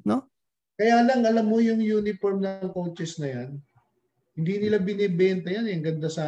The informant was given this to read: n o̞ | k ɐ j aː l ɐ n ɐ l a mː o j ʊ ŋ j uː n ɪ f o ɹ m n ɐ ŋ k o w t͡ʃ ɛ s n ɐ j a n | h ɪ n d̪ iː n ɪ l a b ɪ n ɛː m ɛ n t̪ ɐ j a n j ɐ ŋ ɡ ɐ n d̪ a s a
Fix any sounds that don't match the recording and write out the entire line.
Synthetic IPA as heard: n o̞ | k ɐ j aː l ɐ ŋ ɐ l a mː o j ʊ ŋ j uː n ɪ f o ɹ m n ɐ ŋ k o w t͡ʃ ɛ s n ɐ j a n | h ɪ n d̪ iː n ɪ l a b ɪ n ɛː b ɛ n t̪ ɐ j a n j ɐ ŋ ɡ ɐ n d̪ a s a